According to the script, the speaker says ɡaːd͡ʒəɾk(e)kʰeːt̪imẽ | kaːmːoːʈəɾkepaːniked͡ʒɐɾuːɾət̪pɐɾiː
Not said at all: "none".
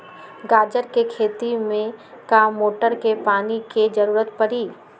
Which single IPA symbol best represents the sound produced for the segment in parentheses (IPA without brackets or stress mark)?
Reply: e